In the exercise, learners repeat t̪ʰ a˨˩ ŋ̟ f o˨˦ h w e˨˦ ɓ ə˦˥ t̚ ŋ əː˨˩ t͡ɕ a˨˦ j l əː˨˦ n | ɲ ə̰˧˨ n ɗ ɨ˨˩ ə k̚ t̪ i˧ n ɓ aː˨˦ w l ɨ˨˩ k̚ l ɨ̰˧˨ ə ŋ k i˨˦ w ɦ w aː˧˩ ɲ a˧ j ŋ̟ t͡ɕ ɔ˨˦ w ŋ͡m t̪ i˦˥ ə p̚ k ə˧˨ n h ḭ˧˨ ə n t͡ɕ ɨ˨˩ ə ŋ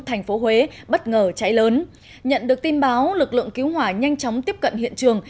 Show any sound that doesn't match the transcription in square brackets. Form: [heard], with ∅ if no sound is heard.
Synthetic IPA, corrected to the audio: t̪ʰ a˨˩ ŋ̟ f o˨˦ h w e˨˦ ɓ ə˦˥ t̚ ŋ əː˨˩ t͡ɕ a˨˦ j l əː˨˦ n | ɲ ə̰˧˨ n ɗ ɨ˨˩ ə k̚ t̪ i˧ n ɓ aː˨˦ w l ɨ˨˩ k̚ l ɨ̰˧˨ ə ŋ k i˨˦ w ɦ w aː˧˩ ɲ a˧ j ŋ̟ t͡ɕ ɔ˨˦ w ŋ͡m t̪ i˦˥ ə p̚ k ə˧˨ n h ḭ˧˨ ə n t͡ɕ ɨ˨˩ ə ŋ